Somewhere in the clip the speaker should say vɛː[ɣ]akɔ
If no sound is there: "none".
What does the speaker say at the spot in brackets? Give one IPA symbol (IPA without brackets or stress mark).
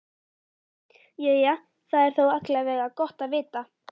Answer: ɣ